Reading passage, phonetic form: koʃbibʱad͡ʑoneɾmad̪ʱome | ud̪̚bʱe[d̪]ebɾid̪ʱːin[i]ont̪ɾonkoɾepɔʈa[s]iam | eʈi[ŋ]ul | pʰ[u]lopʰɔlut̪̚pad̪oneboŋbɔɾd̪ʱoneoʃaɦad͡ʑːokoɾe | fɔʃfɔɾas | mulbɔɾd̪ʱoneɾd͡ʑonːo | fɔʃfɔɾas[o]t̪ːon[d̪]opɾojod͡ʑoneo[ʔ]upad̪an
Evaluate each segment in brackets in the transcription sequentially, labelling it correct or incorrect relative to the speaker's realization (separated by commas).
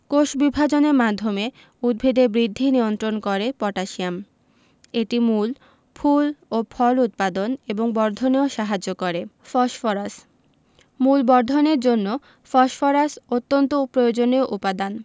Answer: correct, correct, incorrect, incorrect, correct, correct, incorrect, correct